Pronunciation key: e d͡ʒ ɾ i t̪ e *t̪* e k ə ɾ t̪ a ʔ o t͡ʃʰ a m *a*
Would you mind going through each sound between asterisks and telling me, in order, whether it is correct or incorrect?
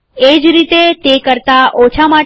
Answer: correct, correct

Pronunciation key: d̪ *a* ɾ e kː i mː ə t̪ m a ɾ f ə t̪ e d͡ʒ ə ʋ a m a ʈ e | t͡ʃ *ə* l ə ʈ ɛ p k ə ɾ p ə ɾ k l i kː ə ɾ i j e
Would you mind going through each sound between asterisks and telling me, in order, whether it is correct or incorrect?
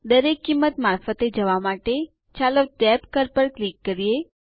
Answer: incorrect, incorrect

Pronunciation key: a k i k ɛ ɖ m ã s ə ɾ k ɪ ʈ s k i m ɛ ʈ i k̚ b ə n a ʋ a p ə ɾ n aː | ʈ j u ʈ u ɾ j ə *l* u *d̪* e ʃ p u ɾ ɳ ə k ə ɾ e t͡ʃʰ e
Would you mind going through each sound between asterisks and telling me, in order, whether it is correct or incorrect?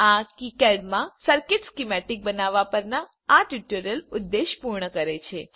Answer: correct, incorrect

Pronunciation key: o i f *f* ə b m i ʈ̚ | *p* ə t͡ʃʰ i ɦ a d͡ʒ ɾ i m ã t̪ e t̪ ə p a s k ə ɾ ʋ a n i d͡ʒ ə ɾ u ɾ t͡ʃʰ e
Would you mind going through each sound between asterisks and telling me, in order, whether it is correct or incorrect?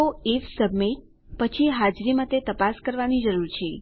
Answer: incorrect, correct

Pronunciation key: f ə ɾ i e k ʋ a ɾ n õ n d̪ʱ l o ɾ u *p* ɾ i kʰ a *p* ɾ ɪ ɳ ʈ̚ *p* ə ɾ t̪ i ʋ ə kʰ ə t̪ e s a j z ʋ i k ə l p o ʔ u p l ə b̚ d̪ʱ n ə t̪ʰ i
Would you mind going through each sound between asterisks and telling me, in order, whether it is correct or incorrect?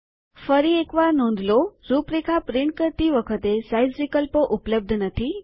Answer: correct, correct, incorrect

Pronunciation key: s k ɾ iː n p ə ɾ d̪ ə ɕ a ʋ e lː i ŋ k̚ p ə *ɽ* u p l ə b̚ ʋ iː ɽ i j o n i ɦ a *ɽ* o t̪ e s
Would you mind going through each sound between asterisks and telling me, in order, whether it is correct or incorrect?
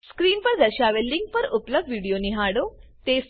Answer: incorrect, correct

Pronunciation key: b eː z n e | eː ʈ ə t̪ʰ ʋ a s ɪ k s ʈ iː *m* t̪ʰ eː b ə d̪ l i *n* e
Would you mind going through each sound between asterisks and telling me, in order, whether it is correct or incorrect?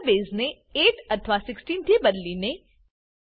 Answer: incorrect, correct

